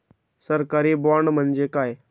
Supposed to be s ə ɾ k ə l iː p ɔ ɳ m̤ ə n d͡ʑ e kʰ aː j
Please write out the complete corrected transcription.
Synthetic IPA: s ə ɾ k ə ɾ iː b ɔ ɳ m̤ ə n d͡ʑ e k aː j

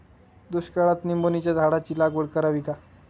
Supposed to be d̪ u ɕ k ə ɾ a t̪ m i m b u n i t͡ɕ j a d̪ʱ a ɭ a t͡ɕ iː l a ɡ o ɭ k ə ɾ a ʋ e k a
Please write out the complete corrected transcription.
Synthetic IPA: d̪ u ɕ k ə ɭ a t̪ n i m b o n i t͡ɕ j a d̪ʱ a ɽ a t͡ɕ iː l a ɡ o ɽ k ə ɾ a ʋ i k a

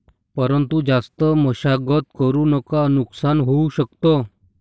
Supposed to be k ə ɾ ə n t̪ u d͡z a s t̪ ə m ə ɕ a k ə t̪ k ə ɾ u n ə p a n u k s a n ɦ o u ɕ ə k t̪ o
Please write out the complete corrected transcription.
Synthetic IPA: p ə ɾ ə n t̪ u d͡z a s t̪ ə m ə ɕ a ɡ ə t̪ k ə ɾ u n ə k a n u k s a n ɦ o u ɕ ə k t̪ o

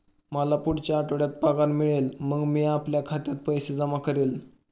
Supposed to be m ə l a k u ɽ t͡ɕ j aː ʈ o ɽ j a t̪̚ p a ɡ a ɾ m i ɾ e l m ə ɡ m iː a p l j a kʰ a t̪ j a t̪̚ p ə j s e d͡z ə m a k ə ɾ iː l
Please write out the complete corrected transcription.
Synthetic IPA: m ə l a p u ɽ t͡ɕ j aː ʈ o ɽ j a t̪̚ p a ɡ a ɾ m i ɭ e l m ə ɡ m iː a p l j a kʰ a t̪ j a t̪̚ p ə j s e d͡z ə m a k ə ɾ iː l

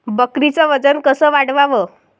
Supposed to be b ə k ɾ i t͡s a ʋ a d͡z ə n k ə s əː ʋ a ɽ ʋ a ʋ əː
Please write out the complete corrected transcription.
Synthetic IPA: b ə k ɾ i t͡s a ʋ ə d͡z ə n k ə s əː ʋ a ɽ ʋ a ʋ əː

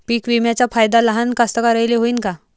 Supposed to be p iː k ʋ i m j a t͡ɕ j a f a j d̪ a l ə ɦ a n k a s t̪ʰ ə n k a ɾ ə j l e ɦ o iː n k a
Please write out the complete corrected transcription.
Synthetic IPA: p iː k ʋ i m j a t͡ɕ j a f a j d̪ a l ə ɦ a n k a s t̪ ə k a ɾ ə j l e ɦ o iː n k a

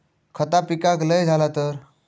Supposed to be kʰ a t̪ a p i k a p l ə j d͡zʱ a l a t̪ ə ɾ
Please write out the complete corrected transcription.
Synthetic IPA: kʰ ə t̪ a p i k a k l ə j d͡zʱ a l a t̪ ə ɾ

